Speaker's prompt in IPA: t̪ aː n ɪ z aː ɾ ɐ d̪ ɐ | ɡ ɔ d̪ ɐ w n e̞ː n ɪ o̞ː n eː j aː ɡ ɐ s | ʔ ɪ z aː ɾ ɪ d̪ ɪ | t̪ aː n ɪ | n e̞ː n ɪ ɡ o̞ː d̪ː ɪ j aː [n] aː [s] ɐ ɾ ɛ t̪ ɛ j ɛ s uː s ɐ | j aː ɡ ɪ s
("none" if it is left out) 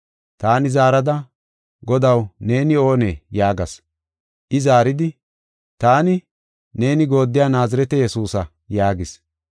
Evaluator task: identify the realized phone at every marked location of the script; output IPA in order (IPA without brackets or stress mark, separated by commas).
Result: n, z